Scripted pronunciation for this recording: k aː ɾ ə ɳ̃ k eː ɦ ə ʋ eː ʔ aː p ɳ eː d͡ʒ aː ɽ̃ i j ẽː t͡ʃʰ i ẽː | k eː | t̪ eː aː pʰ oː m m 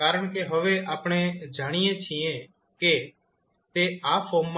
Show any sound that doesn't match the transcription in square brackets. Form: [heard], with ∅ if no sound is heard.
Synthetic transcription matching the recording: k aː ɾ ə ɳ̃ k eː ɦ ə ʋ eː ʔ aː p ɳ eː d͡ʒ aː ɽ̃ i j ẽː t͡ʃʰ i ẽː | k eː | t̪ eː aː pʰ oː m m